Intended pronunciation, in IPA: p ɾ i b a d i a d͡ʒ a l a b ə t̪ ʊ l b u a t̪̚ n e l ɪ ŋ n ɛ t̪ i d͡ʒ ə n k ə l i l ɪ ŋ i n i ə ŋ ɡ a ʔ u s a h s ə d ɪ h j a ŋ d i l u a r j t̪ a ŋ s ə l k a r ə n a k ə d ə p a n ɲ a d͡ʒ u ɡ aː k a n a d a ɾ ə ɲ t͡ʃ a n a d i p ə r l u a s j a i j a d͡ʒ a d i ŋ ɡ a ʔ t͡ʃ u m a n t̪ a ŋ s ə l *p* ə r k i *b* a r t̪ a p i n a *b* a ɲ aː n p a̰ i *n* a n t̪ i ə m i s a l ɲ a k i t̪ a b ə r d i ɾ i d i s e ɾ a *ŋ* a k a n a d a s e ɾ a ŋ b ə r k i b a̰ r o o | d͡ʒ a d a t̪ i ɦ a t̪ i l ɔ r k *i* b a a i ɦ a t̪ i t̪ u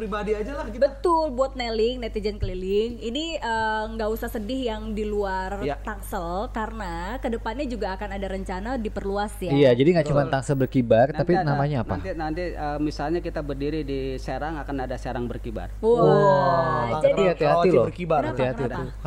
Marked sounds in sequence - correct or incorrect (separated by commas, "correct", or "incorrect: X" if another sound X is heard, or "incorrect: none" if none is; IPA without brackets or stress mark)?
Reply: incorrect: b, correct, incorrect: m, correct, correct, correct